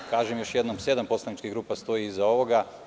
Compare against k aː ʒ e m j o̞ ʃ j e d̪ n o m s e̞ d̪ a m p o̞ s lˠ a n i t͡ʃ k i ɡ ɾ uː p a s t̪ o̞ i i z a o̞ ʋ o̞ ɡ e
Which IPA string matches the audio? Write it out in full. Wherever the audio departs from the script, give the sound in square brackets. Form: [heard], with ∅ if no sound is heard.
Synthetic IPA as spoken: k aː ʒ e m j o̞ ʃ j e d̪ n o m s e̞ d̪ a m p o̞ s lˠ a n i t͡ʃ k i ɡ ɾ uː p a s t̪ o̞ i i z a o̞ ʋ o̞ ɡ [a]